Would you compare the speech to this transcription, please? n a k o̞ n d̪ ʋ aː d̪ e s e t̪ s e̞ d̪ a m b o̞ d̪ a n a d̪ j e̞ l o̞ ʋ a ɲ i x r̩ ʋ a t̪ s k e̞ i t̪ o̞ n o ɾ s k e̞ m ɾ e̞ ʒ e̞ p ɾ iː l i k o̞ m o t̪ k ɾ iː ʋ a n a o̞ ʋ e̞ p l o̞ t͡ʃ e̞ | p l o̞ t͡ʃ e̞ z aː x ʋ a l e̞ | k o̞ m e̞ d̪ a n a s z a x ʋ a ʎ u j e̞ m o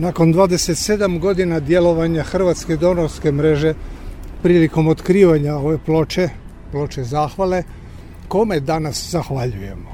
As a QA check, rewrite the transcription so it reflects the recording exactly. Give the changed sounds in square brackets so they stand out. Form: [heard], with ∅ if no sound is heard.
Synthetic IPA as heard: n a k o̞ n d̪ ʋ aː d̪ e s e t̪ s e̞ d̪ a m [ɡ] o̞ d̪ [i] n a d̪ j e̞ l o̞ ʋ a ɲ [a] x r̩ ʋ a t̪ s k e̞ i [d̪] o̞ n o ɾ s k e̞ m ɾ e̞ ʒ e̞ p ɾ iː l i k o̞ m o t̪ k ɾ iː ʋ a [ɲ] a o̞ ʋ e̞ p l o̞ t͡ʃ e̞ | p l o̞ t͡ʃ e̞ z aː x ʋ a l e̞ | k o̞ m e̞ d̪ a n a s z a x ʋ a ʎ u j e̞ m o